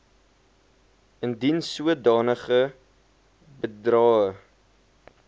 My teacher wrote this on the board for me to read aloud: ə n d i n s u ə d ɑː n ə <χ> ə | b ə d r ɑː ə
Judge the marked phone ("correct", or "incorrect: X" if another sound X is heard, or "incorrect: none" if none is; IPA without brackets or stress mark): correct